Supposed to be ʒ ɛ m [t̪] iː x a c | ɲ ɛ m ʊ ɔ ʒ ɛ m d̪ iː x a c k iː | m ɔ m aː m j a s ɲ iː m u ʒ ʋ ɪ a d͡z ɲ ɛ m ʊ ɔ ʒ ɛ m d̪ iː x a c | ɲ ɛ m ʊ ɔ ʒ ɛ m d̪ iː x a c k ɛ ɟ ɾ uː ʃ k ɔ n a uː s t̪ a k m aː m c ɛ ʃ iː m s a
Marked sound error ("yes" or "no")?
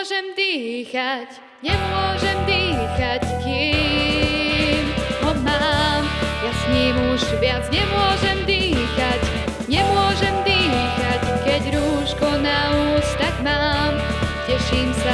yes